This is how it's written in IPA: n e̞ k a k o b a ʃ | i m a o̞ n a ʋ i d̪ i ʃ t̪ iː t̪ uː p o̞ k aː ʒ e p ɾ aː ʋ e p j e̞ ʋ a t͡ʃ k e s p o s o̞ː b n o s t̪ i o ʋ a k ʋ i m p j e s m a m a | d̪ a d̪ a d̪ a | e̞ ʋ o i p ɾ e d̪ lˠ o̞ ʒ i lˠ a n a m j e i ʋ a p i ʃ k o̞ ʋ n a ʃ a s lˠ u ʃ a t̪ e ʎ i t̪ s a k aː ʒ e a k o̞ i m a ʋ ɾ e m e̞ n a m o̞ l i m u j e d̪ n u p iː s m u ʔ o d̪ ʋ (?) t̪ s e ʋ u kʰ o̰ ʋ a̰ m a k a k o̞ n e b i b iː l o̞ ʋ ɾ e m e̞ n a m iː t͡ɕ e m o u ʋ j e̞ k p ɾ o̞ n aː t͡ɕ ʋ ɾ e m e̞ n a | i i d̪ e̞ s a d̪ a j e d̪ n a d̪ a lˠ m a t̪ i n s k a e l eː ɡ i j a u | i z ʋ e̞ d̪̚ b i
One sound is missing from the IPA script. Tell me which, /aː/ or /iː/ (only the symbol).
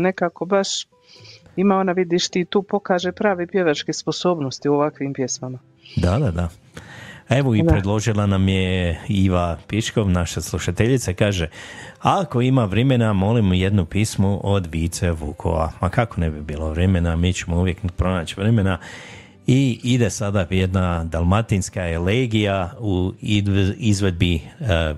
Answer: iː